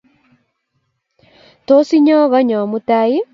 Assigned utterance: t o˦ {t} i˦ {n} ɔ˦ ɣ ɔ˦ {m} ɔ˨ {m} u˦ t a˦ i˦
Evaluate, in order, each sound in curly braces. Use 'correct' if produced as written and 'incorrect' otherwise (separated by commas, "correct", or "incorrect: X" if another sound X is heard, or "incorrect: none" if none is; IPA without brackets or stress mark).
incorrect: s, incorrect: ɲ, incorrect: ɲ, correct